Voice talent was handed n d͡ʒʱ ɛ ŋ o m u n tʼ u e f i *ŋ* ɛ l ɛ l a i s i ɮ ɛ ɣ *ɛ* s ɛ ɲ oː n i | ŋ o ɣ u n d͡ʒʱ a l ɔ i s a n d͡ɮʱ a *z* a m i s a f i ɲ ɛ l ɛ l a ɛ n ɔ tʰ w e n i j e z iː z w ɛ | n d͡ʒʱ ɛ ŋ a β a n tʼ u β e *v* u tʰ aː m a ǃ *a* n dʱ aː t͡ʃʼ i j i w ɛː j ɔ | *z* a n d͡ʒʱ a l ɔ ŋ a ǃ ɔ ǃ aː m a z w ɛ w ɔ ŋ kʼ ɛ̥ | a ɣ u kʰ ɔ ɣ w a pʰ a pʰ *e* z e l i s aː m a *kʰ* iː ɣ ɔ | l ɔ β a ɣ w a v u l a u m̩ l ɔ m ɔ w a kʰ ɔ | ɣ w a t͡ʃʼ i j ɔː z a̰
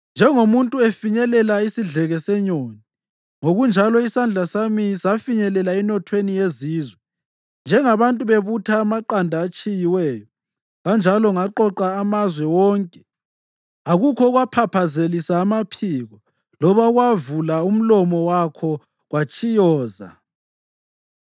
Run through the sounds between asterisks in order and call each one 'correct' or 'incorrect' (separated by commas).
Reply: incorrect, correct, incorrect, incorrect, correct, incorrect, incorrect, incorrect